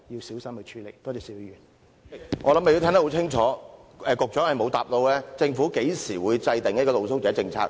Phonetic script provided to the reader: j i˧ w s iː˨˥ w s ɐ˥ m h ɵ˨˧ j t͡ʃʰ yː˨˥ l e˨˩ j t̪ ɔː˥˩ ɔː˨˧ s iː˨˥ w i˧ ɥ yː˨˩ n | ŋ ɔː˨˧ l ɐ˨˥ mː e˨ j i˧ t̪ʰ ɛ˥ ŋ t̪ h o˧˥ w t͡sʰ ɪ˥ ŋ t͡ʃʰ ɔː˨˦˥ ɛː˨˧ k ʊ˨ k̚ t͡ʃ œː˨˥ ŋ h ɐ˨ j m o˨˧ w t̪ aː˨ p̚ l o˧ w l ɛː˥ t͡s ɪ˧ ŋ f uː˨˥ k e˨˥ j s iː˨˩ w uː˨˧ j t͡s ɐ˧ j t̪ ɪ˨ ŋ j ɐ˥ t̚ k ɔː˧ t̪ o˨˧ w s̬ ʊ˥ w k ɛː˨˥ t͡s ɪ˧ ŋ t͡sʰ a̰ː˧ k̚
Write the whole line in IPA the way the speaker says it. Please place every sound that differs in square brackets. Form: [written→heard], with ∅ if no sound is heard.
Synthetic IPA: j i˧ w s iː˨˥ w s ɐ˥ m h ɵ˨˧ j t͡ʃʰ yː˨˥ l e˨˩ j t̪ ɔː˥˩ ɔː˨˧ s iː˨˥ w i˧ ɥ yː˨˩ n | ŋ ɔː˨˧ l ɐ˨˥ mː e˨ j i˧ t̪ʰ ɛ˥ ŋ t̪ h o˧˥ w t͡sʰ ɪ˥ ŋ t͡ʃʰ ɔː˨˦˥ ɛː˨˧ k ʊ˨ k̚ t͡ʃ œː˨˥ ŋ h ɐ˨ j m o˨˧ w t̪ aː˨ p̚ l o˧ w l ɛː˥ t͡s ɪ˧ ŋ f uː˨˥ k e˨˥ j s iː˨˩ w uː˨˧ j t͡s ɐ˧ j t̪ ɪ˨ ŋ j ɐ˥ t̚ k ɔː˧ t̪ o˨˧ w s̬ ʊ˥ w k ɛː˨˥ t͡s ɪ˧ ŋ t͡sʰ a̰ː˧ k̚

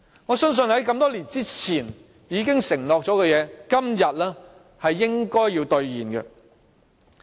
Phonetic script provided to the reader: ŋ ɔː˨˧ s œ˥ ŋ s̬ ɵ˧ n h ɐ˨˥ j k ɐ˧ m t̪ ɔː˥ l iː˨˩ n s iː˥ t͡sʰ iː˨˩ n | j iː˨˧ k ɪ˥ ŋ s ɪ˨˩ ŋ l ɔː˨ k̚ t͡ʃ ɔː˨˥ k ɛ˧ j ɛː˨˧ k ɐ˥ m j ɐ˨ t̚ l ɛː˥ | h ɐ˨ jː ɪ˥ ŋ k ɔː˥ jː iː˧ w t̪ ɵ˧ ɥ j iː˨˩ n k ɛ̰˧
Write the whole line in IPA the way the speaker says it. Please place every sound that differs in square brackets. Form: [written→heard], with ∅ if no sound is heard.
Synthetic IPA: ŋ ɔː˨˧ s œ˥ ŋ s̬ ɵ˧ n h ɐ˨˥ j k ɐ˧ m t̪ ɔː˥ l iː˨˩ n [s→t͡s] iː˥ t͡sʰ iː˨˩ n | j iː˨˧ k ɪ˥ ŋ s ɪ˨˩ ŋ l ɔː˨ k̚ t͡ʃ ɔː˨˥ k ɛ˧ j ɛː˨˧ k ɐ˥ m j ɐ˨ t̚ l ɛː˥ | h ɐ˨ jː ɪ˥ ŋ k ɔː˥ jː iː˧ w t̪ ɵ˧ ɥ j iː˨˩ n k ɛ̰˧

